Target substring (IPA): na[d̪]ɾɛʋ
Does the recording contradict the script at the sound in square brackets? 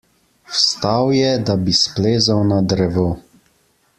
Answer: no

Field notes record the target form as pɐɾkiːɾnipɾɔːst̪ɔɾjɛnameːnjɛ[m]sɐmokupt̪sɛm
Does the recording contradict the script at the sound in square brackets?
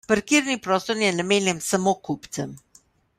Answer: no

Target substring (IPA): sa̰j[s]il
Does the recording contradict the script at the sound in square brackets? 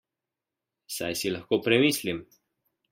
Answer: no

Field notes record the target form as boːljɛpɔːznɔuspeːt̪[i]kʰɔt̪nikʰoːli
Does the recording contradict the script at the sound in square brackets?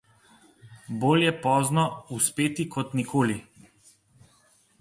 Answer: no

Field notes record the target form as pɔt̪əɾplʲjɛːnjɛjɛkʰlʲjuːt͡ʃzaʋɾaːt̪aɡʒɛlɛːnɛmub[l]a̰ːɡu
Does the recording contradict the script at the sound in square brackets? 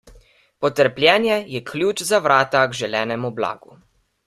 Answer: no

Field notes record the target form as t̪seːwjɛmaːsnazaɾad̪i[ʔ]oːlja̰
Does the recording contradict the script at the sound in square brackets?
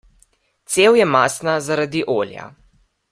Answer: no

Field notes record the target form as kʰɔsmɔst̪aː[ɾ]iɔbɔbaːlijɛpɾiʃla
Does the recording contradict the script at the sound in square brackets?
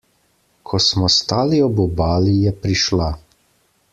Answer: yes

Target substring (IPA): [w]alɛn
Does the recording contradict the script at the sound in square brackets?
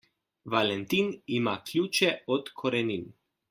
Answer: yes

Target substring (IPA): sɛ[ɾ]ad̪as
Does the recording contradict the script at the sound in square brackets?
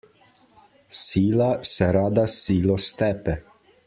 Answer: no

